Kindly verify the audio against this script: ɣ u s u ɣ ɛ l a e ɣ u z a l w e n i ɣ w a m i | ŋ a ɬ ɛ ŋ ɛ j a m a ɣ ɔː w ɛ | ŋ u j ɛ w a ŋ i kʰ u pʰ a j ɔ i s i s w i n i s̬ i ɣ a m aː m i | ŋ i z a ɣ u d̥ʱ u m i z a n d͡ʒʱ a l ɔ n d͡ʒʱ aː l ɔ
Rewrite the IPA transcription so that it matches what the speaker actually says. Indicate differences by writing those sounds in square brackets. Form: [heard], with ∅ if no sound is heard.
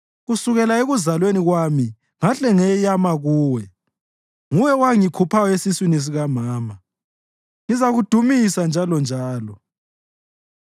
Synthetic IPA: ɣ u s u ɣ ɛ l a e ɣ u z a l w e n i ɣ w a m i | ŋ a ɬ ɛ ŋ ɛ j a m a ɣ [uː] w ɛ | ŋ u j ɛ w a ŋ i kʰ u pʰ a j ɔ [e] s i s w i n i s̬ i ɣ a m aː m [a] | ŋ i z a ɣ u d̥ʱ u m i [s] a n d͡ʒʱ a l ɔ n d͡ʒʱ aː l ɔ